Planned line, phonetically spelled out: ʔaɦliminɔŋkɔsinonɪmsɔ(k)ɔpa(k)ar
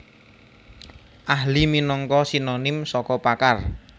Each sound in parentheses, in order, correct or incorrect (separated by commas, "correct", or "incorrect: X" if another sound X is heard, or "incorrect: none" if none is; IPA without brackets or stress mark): correct, correct